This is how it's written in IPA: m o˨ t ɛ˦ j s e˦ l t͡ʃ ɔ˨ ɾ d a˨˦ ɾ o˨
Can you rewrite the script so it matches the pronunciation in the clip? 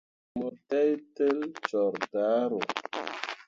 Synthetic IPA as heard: m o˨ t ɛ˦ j t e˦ l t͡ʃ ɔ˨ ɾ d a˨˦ ɾ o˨